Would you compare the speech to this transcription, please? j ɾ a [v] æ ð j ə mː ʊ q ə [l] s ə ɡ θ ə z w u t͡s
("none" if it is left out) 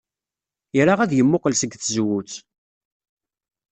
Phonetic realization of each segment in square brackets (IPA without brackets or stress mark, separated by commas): ʁ, l